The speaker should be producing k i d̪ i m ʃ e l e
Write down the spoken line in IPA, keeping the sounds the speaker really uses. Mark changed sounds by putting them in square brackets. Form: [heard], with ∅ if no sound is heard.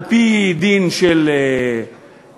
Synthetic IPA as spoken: [p] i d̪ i [n] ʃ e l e